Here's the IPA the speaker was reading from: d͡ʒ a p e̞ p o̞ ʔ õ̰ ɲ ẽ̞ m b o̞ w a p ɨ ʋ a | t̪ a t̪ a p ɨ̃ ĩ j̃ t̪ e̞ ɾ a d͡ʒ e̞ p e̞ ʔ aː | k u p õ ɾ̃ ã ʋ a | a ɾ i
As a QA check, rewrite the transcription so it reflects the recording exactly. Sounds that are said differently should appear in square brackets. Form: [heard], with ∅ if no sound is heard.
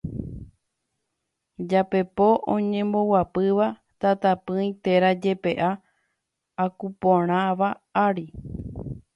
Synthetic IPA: d͡ʒ a p e̞ p o̞ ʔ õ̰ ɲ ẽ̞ m b o̞ w a p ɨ ʋ a | t̪ a t̪ a p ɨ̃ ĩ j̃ t̪ e̞ ɾ a d͡ʒ e̞ p e̞ ʔ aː | k u p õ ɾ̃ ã ʋ a | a ɾ i